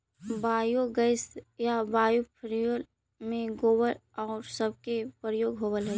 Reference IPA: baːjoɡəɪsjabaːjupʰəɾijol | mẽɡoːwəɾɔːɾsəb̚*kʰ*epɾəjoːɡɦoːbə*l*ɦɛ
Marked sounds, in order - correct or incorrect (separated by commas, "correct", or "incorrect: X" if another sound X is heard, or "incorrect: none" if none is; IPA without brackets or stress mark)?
incorrect: k, correct